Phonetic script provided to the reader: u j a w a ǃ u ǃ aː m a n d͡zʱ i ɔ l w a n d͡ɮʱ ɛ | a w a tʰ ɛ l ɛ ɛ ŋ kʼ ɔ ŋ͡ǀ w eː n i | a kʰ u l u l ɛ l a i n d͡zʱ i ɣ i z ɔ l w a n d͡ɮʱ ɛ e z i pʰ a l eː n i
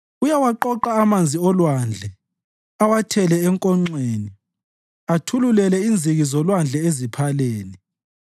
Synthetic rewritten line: u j a w a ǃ ɔ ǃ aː m a n d͡zʱ i ɔ l w a n d͡ɮʱ ɛ | a w a tʰ ɛ l ɛ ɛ ŋ kʼ ɔ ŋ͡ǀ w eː n i | a tʰ u l u l ɛ l ɛ i n d͡zʱ i ɣ i z ɔ l w a n d͡ɮʱ ɛ e z i pʰ a l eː n i